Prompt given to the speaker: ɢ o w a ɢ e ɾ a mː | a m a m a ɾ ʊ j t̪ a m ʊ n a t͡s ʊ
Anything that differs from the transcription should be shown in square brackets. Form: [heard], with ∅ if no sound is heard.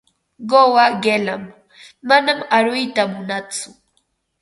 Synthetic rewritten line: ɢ o w a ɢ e [l] a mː | a [n] a m a ɾ ʊ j t̪ a m ʊ n a t͡s ʊ